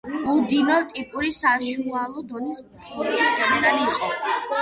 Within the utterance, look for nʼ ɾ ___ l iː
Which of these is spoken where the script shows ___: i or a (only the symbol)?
a